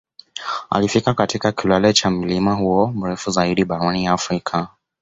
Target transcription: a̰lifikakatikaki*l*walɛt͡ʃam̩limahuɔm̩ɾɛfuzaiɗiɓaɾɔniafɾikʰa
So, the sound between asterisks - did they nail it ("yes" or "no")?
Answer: yes